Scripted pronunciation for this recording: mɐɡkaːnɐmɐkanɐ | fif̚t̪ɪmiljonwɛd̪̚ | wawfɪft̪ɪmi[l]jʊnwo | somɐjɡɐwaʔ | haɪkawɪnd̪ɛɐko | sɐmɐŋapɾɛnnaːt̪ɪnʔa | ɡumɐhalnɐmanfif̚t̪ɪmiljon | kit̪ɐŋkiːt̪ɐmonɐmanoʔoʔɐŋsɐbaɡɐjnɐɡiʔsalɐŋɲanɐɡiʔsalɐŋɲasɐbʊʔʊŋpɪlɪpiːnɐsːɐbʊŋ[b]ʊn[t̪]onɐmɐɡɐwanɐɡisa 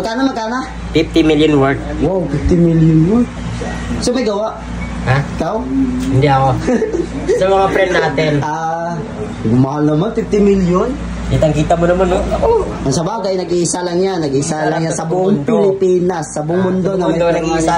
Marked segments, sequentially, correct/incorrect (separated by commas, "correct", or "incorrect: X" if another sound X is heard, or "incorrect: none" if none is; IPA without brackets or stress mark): correct, incorrect: m, incorrect: d̪